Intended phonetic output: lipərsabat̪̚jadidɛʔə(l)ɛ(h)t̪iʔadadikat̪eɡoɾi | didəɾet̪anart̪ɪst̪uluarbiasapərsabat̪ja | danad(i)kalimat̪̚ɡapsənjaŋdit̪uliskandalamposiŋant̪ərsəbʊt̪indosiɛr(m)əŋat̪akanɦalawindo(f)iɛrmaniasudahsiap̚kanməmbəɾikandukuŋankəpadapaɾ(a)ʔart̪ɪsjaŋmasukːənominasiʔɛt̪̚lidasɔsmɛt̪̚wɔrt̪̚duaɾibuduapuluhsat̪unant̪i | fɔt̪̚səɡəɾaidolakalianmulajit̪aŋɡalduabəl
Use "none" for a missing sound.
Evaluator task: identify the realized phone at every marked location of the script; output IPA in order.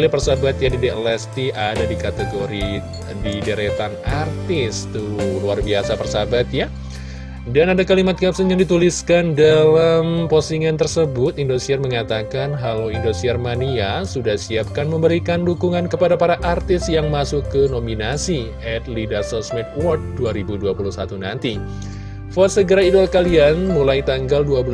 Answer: l, s, a, m, s, a

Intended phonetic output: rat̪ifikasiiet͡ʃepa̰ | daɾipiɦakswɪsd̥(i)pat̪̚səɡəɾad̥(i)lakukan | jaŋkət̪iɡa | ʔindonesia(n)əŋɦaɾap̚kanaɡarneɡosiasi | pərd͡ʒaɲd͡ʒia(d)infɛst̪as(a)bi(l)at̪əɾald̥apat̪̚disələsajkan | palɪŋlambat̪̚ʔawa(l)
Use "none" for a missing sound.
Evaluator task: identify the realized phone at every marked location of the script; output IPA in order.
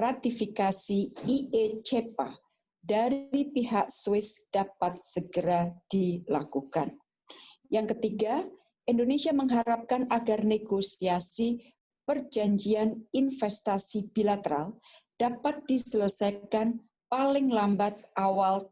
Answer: a, i, m, n, i, l, l

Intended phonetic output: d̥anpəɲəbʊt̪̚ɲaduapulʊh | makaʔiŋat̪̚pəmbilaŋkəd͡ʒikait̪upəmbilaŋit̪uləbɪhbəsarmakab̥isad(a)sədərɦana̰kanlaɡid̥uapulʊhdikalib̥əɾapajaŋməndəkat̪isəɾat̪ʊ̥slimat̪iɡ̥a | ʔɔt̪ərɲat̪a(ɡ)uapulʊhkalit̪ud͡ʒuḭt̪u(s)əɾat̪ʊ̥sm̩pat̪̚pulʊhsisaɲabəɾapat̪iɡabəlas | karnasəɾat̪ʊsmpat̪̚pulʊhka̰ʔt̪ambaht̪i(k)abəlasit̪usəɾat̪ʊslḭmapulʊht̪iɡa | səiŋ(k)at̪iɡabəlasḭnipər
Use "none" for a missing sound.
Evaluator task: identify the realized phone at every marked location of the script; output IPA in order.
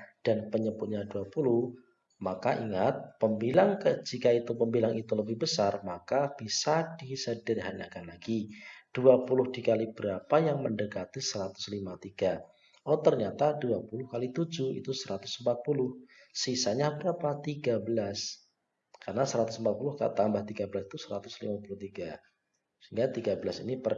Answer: i, d, s, ɡ, ɡ

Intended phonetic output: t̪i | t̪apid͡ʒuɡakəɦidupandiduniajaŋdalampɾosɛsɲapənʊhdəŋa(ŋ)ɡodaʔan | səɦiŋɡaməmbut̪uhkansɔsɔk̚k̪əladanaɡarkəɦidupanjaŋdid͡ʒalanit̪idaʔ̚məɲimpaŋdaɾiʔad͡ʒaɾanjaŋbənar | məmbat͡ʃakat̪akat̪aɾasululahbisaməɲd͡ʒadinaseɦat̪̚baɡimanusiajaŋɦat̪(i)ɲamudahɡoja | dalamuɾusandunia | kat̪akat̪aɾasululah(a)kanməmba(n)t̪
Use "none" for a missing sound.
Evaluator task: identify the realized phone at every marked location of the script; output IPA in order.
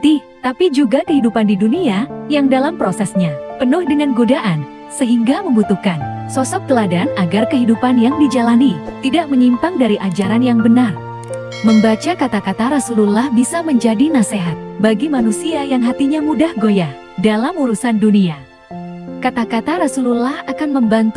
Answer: n, i, a, n

